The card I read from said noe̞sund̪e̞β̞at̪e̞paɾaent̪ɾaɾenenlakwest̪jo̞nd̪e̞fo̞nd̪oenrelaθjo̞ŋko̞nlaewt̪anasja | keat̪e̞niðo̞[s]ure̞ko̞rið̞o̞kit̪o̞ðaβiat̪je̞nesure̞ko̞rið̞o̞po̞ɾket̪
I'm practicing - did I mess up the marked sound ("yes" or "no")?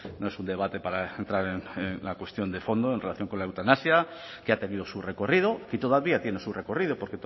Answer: no